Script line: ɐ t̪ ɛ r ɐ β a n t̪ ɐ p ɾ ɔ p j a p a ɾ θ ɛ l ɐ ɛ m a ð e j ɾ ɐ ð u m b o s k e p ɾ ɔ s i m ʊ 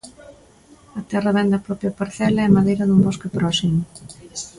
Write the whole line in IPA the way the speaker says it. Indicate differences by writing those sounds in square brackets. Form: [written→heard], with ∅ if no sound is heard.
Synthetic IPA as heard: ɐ t̪ ɛ r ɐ β [a→ɛ] n [t̪→d̪] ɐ p ɾ ɔ p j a p a ɾ θ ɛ l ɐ ɛ m a ð e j ɾ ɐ ð u m b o s k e p ɾ ɔ s i m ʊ

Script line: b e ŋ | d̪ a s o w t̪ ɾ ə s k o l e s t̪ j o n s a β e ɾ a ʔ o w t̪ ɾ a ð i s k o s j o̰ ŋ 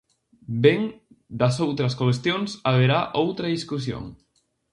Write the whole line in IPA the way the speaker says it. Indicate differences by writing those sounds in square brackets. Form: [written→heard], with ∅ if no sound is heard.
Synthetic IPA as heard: b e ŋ | d̪ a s o w t̪ ɾ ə s k o l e s t̪ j o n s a β e ɾ a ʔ o w t̪ ɾ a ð i s k [o→u] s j o̰ ŋ

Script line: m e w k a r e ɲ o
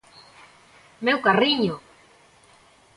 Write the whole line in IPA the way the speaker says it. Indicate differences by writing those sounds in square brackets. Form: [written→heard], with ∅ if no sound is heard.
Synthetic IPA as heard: m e w k a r [e→i] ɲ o

